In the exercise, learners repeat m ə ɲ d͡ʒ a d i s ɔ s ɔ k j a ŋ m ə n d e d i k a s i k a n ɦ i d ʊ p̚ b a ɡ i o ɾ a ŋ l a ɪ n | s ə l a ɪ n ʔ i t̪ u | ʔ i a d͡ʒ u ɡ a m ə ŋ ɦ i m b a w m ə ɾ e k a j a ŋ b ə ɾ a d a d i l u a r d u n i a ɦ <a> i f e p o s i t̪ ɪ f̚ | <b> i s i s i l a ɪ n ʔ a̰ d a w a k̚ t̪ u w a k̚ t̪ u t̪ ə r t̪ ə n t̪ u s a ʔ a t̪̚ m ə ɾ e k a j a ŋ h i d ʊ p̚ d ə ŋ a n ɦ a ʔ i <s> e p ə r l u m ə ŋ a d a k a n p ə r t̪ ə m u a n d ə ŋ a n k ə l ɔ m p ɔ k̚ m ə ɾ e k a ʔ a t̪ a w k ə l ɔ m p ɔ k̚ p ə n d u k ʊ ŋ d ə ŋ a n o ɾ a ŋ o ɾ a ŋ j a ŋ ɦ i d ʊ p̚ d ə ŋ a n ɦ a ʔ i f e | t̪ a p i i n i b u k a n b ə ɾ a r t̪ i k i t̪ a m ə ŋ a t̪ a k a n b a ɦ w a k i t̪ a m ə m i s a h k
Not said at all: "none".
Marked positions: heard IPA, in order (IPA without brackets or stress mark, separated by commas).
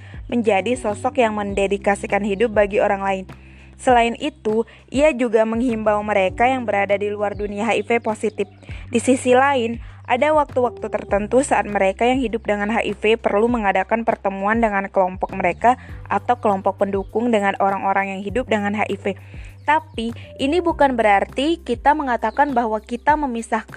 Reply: a, d, f